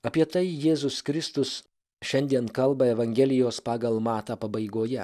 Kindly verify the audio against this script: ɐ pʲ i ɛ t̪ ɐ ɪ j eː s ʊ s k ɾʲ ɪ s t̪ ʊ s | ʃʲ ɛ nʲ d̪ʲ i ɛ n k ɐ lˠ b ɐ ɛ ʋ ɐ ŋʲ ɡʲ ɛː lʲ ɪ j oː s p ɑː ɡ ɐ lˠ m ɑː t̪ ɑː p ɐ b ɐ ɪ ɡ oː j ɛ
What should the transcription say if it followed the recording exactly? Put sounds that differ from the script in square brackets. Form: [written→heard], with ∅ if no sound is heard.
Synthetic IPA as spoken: ɐ pʲ i ɛ t̪ ɐ ɪ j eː [s→z] ʊ s k ɾʲ ɪ s t̪ ʊ s | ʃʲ ɛ nʲ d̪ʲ i ɛ n k ɐ lˠ b ɐ ɛ ʋ ɐ ŋʲ ɡʲ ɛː lʲ ɪ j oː s p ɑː ɡ ɐ lˠ m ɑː t̪ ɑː p ɐ b ɐ ɪ ɡ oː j ɛ